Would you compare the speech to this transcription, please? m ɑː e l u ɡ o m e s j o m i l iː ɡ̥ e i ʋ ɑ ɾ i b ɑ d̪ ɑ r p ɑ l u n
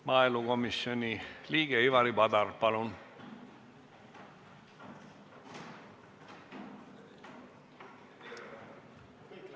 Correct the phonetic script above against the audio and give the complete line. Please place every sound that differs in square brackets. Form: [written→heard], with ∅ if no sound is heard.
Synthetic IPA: m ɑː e l u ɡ o m [e→i] s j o [m→n] i l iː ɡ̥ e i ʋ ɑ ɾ i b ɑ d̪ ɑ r p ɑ l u n